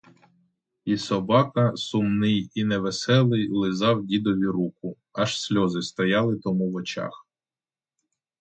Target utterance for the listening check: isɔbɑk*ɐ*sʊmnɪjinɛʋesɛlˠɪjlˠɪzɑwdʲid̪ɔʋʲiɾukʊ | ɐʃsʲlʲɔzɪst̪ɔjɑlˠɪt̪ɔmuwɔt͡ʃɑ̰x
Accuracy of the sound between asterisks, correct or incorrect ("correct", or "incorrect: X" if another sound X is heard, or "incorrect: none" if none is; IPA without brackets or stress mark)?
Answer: correct